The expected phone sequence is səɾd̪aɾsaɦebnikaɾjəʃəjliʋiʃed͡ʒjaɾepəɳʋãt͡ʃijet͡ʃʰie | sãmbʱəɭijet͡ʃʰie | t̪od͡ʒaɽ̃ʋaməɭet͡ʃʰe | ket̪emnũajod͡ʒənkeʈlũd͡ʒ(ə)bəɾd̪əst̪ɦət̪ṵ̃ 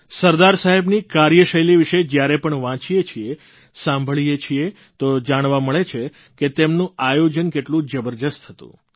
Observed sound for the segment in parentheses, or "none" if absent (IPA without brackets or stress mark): ə